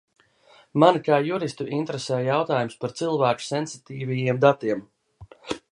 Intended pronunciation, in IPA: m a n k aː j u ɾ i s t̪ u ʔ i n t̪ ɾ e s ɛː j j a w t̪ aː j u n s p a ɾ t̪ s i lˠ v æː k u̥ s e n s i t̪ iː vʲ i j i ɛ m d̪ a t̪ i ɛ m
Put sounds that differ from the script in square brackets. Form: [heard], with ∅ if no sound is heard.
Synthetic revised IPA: m a n k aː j u ɾ i s t̪ u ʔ i n t̪ ɾ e s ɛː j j a w t̪ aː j u [m] s p a ɾ t̪ s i lˠ v æː k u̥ s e n s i t̪ iː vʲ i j i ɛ m d̪ a t̪ i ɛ m